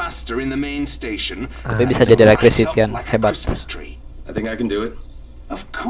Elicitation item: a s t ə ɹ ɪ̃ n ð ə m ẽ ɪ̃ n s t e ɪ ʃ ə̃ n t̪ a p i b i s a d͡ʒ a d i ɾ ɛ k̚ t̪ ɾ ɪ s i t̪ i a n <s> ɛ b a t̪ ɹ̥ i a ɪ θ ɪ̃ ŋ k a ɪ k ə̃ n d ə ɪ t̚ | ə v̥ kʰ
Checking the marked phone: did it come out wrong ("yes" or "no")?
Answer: yes